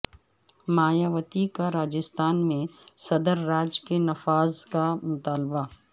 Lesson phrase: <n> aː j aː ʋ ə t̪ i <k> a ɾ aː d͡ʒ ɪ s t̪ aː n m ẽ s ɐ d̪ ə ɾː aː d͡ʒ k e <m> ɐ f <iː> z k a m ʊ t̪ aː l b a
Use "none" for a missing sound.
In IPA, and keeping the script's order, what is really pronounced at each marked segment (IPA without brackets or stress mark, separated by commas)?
m, k, n, aː